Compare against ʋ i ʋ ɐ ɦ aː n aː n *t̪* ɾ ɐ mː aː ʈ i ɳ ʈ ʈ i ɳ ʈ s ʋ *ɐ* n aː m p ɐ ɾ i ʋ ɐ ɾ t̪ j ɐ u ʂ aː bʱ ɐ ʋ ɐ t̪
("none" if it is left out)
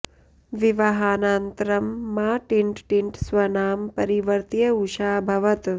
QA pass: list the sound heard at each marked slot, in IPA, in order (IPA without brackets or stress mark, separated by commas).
t̪, ɐ